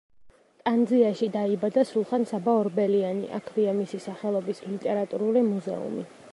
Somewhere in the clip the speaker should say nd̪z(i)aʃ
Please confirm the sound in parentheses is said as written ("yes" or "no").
yes